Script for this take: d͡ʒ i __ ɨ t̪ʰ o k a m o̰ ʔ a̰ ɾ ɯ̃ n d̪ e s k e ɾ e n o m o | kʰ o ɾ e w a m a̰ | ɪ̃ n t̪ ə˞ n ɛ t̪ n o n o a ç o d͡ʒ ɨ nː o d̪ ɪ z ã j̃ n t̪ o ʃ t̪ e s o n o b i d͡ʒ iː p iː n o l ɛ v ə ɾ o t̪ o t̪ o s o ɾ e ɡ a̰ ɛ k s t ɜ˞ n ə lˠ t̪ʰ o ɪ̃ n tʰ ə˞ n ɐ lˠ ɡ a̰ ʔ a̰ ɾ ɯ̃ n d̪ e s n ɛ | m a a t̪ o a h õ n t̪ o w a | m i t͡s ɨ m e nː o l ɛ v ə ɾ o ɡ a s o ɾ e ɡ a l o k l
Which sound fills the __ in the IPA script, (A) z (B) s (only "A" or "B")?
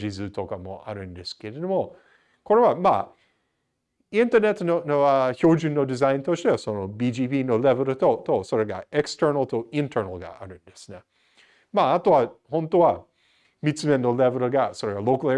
A